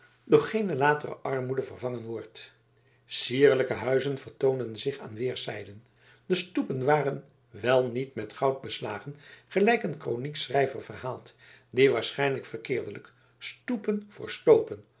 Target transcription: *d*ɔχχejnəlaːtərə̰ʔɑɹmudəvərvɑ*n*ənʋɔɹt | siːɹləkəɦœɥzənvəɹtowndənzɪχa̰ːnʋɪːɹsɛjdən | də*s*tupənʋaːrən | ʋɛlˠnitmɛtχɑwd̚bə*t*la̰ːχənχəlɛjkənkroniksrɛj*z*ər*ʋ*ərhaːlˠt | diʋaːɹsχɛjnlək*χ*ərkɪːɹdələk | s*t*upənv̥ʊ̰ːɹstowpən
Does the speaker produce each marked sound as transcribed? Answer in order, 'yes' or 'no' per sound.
yes, no, yes, no, no, no, no, yes

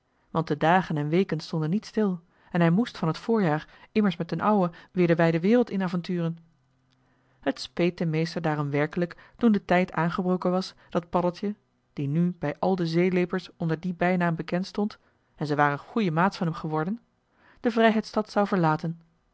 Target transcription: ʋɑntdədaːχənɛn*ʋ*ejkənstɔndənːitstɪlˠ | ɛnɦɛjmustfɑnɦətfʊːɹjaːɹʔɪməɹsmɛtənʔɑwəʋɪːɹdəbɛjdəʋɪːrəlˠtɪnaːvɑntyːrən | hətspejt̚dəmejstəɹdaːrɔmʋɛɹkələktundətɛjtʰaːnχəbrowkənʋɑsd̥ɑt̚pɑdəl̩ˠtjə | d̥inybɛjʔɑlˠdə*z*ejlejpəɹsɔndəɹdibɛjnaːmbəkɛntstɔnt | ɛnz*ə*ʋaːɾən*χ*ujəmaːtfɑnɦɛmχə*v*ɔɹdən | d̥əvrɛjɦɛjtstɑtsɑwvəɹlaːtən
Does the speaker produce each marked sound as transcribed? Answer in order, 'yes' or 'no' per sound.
yes, yes, yes, yes, no

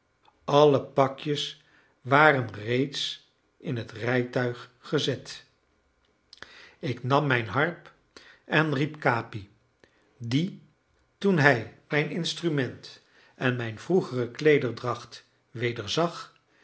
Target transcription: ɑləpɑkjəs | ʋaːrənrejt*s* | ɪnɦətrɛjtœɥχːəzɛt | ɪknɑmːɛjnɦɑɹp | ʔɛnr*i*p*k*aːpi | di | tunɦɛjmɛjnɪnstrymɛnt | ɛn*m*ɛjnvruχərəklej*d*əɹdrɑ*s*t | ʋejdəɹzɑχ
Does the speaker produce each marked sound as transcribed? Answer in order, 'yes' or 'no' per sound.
yes, yes, yes, yes, yes, no

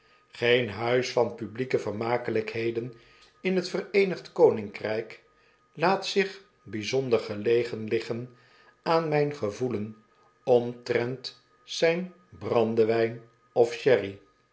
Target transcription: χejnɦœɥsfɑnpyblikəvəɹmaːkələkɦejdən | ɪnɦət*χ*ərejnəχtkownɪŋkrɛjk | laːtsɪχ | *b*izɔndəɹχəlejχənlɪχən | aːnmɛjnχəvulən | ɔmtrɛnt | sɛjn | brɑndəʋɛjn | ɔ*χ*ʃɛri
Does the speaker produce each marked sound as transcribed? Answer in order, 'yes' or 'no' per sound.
no, yes, no

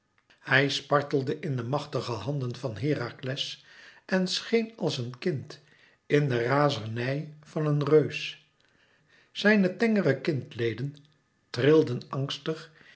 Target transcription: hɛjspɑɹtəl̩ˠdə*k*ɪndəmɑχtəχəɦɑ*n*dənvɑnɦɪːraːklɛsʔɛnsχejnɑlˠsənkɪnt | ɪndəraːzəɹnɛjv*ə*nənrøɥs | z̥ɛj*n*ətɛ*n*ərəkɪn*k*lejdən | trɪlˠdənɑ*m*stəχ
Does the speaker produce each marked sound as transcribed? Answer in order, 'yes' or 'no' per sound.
no, yes, no, yes, no, no, no

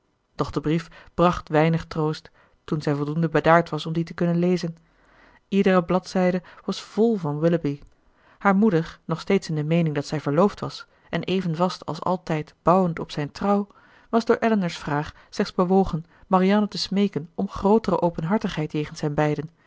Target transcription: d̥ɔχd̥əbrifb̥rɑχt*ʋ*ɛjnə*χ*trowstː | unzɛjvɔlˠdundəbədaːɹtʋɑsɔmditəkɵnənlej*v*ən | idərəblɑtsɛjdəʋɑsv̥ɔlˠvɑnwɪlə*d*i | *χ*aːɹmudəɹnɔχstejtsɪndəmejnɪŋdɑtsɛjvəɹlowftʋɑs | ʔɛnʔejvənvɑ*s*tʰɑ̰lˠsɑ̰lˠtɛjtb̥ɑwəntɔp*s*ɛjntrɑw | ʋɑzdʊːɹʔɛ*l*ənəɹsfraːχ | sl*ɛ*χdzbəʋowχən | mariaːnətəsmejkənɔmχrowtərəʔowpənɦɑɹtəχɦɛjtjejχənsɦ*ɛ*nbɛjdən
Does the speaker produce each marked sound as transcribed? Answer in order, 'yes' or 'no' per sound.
yes, yes, no, no, no, yes, yes, yes, yes, yes

